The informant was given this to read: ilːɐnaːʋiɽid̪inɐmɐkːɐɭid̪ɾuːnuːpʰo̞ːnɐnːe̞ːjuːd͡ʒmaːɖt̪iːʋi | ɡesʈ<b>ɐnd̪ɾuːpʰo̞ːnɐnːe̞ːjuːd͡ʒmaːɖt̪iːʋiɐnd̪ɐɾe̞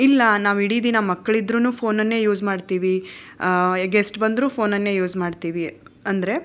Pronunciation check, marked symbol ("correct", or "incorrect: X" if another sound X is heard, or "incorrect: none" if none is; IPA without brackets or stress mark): correct